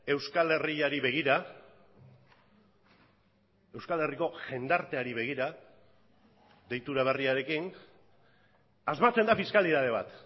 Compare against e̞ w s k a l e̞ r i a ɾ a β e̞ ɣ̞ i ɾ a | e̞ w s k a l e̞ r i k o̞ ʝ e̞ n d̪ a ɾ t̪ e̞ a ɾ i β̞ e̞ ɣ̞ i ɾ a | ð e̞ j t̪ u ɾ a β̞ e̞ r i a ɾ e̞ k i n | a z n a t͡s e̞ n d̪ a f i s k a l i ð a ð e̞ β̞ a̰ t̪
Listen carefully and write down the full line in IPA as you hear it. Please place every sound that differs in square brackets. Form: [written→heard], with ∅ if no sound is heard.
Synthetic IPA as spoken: e̞ w s k a l e̞ r i a ɾ [a→i] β e̞ ɣ̞ i ɾ a | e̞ w s k a l e̞ r i k o̞ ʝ e̞ n d̪ a ɾ t̪ e̞ a ɾ i β̞ e̞ ɣ̞ i ɾ a | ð e̞ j t̪ u ɾ a β̞ e̞ r i a ɾ e̞ k i n | a z [n→m] a t͡s e̞ n d̪ a f i s k a l i ð a ð e̞ β̞ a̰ t̪